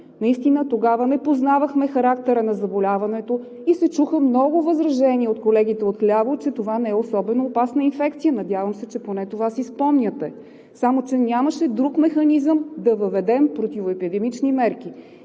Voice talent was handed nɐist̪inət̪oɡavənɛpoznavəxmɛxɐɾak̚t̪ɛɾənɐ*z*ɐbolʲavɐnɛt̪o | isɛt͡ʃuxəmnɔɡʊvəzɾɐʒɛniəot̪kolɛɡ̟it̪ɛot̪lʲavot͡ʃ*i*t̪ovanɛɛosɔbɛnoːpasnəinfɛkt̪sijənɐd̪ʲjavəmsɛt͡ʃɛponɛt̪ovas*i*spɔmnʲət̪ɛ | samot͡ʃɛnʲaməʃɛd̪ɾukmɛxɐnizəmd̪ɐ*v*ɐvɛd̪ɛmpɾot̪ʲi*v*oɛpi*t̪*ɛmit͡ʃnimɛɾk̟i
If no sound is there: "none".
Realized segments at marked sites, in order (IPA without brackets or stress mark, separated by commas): z, ɛ, i, v, v, d̪